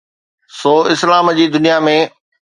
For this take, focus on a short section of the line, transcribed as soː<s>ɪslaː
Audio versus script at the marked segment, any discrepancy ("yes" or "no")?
yes